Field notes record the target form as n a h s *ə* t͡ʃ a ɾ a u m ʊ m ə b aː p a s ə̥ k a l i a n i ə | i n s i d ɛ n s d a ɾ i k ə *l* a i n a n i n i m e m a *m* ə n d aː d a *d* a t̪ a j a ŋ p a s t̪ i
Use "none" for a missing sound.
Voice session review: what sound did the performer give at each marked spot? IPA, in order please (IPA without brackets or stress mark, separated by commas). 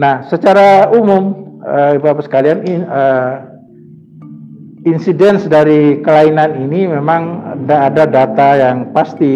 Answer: ə, l, ŋ, d